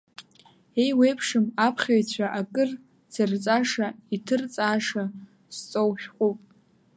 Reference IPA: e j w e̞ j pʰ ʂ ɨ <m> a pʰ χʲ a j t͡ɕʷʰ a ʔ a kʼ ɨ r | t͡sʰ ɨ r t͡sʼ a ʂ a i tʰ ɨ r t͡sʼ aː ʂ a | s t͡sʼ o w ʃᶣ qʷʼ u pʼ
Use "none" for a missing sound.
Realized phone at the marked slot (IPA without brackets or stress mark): m